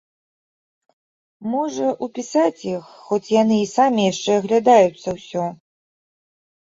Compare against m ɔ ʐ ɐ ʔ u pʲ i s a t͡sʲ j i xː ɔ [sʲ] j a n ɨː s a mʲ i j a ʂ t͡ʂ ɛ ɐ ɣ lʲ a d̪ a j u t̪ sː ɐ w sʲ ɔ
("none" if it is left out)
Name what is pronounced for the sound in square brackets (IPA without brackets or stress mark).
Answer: t͡sʲ